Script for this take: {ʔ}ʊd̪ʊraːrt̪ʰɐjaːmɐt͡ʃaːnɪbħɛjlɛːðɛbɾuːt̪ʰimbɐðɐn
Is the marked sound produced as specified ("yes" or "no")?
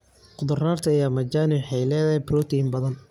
no